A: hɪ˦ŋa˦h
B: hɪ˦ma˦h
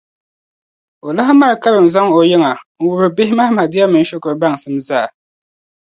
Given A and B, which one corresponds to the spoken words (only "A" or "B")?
B